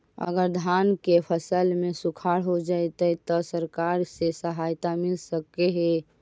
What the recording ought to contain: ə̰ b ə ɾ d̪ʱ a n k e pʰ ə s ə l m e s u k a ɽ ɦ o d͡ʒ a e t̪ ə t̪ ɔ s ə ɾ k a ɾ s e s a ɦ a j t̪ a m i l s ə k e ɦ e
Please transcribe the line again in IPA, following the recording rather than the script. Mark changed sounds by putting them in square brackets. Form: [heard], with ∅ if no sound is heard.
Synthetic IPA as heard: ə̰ [ɡ] ə ɾ d̪ʱ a n k e pʰ ə s ə l m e s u [kʰ] a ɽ ɦ o d͡ʒ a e t̪ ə t̪ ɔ s ə ɾ k a ɾ s e s [ə] ɦ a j t̪ a m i l s ə k e ɦ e